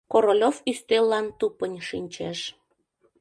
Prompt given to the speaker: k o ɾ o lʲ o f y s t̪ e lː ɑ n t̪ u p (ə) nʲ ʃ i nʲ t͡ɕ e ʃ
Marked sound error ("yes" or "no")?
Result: no